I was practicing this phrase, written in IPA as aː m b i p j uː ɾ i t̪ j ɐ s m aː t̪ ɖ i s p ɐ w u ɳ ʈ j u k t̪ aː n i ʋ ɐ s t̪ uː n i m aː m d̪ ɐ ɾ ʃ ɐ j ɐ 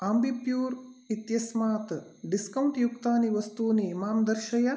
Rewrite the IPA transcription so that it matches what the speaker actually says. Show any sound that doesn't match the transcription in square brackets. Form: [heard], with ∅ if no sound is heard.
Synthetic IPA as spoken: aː m b i p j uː ɾ i t̪ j ɐ s m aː t̪ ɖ i s [k] ɐ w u ɳ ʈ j u k t̪ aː n i ʋ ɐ s t̪ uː n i m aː m d̪ ɐ ɾ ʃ ɐ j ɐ

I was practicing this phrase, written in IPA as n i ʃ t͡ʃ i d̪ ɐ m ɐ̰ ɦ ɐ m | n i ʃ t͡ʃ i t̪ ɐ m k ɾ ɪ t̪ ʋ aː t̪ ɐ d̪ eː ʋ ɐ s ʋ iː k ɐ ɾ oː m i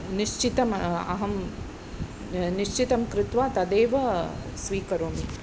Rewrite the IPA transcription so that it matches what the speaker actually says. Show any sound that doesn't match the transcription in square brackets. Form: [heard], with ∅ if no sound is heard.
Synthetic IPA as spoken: n i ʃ t͡ʃ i [t̪] ɐ m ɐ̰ ɦ ɐ m | n i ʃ t͡ʃ i t̪ ɐ m k ɾ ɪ t̪ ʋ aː t̪ ɐ d̪ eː ʋ ɐ s ʋ iː k ɐ ɾ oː m i

